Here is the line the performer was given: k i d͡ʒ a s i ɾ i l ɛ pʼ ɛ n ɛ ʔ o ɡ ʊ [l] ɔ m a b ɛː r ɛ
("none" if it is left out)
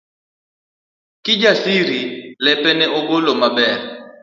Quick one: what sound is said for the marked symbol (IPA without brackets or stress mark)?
l